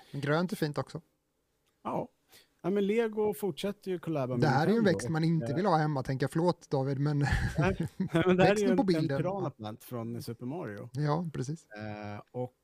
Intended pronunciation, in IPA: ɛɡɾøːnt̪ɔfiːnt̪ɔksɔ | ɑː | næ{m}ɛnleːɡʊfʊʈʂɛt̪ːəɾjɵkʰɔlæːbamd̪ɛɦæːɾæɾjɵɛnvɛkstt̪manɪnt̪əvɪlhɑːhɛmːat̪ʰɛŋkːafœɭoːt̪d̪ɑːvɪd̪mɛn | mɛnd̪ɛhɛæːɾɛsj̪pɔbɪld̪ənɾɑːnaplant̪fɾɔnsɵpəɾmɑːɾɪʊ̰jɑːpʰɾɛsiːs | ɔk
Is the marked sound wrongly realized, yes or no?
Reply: no